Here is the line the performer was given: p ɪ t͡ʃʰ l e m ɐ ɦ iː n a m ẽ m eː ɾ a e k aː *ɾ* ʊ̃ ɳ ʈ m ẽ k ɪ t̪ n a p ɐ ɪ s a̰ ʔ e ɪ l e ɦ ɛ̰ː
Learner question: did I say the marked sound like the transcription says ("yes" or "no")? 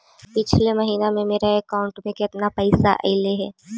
no